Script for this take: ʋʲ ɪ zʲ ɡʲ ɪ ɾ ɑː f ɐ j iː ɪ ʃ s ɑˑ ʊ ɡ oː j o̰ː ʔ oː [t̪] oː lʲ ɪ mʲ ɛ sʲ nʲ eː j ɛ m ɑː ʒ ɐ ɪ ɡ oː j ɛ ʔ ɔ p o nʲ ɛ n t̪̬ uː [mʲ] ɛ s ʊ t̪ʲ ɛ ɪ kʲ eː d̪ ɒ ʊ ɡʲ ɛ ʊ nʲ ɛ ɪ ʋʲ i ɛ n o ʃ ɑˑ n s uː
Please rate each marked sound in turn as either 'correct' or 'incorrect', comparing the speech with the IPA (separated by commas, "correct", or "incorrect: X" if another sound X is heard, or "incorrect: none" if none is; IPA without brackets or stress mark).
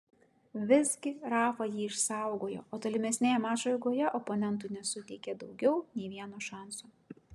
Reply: correct, incorrect: nʲ